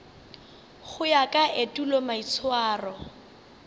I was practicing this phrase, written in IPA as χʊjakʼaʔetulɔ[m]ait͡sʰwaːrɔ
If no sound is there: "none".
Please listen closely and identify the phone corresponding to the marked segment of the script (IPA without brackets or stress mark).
m